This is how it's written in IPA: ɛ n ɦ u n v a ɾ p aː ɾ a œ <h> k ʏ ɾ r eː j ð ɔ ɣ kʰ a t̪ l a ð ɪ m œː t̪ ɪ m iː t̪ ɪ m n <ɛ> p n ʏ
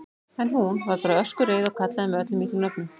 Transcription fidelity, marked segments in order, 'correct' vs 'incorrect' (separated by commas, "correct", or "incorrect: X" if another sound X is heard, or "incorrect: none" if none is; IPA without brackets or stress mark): incorrect: s, incorrect: œ